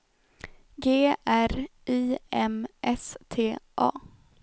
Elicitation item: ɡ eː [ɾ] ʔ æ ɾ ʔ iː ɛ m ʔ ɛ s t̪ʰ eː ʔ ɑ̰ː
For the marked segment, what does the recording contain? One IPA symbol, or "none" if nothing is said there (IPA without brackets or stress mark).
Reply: none